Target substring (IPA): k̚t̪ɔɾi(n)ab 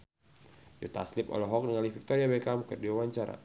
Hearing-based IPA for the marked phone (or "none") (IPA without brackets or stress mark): none